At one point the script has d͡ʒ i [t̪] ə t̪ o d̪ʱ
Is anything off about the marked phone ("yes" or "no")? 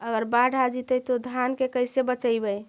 no